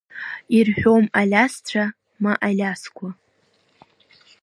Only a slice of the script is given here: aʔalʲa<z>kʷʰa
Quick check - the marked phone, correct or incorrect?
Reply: incorrect